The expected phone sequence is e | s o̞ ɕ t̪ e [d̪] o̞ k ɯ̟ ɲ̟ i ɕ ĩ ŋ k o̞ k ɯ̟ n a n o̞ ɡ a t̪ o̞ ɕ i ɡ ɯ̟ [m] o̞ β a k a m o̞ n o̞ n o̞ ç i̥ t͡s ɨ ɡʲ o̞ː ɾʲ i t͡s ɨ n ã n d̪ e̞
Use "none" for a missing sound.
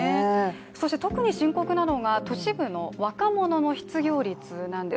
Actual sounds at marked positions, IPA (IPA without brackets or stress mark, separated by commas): t̪, n